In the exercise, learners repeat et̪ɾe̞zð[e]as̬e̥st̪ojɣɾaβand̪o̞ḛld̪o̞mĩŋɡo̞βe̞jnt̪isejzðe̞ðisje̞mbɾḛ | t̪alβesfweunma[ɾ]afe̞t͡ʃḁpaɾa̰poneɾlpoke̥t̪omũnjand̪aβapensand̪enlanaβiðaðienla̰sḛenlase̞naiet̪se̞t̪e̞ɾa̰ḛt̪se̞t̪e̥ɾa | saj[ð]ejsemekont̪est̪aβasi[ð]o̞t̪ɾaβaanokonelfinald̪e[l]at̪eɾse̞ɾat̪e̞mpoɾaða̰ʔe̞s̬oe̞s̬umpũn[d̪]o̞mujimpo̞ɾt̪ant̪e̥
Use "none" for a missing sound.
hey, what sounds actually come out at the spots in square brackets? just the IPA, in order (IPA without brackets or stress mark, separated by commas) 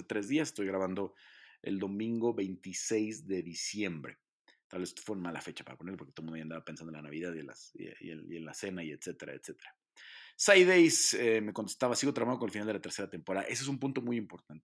i, l, ð, ɣ, l, t̪